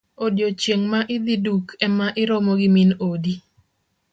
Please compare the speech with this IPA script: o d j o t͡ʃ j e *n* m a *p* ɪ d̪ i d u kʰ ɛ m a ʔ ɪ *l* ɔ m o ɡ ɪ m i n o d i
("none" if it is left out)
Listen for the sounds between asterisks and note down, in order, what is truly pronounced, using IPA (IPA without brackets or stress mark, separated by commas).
ŋ, ʔ, ɾ